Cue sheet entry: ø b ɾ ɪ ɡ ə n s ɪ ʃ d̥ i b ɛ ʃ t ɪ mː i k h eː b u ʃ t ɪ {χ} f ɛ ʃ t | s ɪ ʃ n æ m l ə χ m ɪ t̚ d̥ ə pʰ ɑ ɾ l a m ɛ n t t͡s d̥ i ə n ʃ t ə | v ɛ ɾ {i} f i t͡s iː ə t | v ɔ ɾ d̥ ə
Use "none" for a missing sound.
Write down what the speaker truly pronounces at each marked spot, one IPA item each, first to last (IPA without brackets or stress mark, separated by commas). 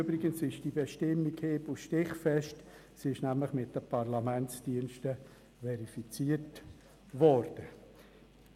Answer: χ, i